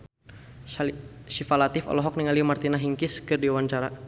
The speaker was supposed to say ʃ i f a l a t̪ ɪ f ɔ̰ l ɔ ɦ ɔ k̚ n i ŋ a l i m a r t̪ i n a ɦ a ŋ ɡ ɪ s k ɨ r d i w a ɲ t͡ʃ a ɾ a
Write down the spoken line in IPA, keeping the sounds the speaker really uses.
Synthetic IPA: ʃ i f a l a t̪ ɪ f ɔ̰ l ɔ ɦ ɔ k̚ n i ŋ a l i m a r t̪ i n a ɦ i ŋ k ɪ s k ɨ r d i w a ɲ t͡ʃ a ɾ a